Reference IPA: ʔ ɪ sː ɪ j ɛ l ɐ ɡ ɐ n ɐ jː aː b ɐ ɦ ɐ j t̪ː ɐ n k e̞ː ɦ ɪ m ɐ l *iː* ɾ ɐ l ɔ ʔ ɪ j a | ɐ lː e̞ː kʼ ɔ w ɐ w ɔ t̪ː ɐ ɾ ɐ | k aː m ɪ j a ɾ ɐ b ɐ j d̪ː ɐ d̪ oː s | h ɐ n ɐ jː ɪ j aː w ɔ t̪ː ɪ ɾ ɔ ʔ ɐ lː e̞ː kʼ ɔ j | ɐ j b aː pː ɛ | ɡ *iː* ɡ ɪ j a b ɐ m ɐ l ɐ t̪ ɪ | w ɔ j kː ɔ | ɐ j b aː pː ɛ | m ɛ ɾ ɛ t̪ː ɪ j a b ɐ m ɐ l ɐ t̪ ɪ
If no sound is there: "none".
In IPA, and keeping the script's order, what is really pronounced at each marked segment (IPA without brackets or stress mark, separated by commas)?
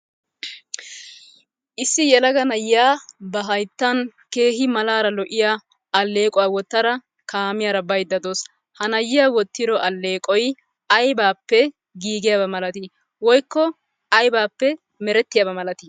aː, iː